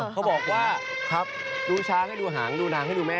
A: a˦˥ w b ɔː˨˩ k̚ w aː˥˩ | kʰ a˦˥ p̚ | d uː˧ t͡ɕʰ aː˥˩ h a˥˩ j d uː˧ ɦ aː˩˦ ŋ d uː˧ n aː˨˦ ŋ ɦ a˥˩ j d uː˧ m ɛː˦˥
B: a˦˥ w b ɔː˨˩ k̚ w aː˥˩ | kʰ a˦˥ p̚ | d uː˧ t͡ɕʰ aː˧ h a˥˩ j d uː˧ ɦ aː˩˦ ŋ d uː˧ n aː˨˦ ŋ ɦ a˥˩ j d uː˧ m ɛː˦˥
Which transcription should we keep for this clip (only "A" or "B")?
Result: B